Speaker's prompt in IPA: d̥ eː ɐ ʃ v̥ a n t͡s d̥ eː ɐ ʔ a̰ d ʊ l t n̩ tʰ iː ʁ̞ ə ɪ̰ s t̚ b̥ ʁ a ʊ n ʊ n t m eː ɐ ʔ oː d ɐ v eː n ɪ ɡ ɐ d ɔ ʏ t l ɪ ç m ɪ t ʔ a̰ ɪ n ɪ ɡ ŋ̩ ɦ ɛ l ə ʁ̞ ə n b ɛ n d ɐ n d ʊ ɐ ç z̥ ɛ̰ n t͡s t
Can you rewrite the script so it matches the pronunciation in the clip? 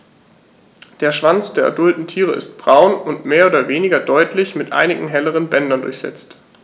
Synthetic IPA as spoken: d̥ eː ɐ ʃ v̥ a n t͡s d̥ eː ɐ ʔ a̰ d ʊ l t n̩ tʰ iː ʁ̞ ə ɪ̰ s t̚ b̥ ʁ a ʊ n ʊ n t m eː ɐ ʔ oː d ɐ v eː n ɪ ɡ ɐ d ɔ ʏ t l ɪ ç m ɪ t ʔ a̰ ɪ n ɪ ɡ ŋ̩ ɦ ɛ l ə ʁ̞ ə n b ɛ n d ɐ n d ʊ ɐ ç z̥ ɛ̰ t͡s t